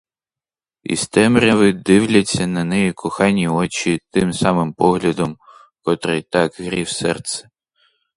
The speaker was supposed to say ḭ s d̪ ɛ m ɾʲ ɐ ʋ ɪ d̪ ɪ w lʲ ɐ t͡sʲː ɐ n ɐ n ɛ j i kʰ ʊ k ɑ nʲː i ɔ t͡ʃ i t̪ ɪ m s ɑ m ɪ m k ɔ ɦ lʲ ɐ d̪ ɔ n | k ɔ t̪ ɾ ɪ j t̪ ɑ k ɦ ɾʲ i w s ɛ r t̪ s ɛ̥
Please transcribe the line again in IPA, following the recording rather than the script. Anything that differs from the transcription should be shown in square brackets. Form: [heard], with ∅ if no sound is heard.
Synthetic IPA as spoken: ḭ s [t̪] ɛ m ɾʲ ɐ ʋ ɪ d̪ ɪ w lʲ ɐ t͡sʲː ɐ n ɐ n ɛ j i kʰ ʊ [x] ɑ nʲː i ɔ t͡ʃ i t̪ ɪ m s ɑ m ɪ m [p] ɔ ɦ lʲ ɐ d̪ ɔ [m] | k ɔ t̪ ɾ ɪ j t̪ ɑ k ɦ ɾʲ i w s ɛ r t̪ s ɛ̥